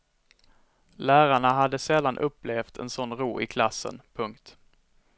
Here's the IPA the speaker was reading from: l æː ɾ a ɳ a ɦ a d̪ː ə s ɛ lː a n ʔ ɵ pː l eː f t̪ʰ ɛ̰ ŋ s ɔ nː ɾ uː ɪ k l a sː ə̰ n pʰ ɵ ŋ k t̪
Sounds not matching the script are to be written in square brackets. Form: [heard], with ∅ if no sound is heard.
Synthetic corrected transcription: l æː ɾ a ɳ a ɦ a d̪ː ə s ɛ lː a n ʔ ɵ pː l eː f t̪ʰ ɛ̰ [n] s ɔ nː ɾ uː ɪ [kʰ] l a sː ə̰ n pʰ ɵ ŋ k t̪